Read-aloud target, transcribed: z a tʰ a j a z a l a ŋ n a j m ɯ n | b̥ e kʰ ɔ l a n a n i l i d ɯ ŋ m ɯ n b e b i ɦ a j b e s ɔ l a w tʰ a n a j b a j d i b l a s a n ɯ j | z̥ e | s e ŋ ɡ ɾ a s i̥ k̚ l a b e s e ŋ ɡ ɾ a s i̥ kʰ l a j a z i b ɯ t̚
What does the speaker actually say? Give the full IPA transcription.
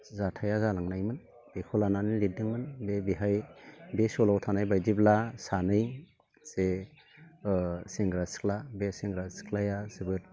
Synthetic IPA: z a tʰ a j a z a l a ŋ n a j m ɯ n | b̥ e kʰ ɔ l a n a n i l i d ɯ ŋ m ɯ n b e b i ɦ a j b e s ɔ l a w tʰ a n a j b a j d i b l a s a n ɯ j | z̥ e | s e ŋ ɡ ɾ a s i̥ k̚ l a b e s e ŋ ɡ ɾ a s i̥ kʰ l a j a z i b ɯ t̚